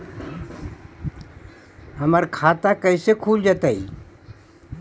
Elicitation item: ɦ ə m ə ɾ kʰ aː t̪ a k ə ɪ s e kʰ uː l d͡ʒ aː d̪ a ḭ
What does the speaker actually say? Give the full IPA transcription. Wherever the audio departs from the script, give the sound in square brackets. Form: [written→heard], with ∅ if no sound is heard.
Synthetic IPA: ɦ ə m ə ɾ kʰ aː t̪ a k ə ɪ s e kʰ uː l d͡ʒ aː [d̪→t̪] a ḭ